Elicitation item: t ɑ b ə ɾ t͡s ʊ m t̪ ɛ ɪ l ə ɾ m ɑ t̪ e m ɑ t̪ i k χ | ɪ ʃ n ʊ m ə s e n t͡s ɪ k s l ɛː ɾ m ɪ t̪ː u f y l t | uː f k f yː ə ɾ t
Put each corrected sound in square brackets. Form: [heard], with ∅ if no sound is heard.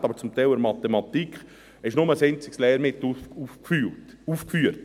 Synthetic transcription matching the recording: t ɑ b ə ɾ t͡s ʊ m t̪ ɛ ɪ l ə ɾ m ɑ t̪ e m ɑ t̪ i k χ | ɪ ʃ n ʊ m ə s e n t͡s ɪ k s l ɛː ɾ m ɪ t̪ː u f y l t | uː f k f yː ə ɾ t